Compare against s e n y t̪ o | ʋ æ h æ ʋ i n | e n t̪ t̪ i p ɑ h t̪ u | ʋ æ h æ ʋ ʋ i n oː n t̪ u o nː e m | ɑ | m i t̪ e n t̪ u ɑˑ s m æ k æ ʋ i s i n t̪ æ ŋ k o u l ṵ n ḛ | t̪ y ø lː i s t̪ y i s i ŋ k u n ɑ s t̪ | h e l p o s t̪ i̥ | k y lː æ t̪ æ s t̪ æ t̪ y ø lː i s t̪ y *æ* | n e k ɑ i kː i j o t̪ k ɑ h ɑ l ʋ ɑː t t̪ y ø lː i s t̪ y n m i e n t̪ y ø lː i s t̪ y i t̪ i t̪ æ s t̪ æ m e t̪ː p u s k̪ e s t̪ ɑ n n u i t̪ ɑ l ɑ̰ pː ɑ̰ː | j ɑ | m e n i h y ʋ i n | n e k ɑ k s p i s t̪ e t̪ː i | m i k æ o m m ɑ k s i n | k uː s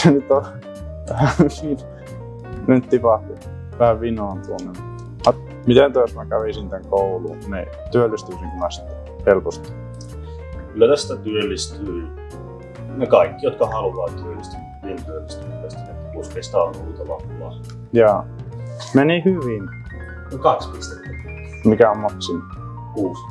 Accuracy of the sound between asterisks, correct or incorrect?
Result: incorrect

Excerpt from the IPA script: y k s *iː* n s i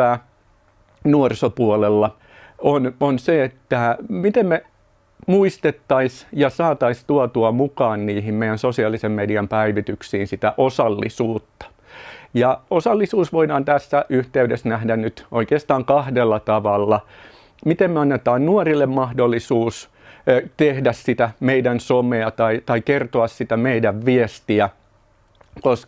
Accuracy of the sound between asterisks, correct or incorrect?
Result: correct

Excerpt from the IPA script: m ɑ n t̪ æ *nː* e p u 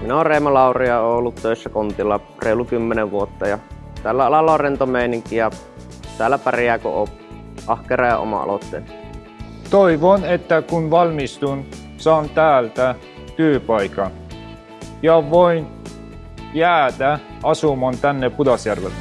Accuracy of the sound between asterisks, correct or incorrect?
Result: correct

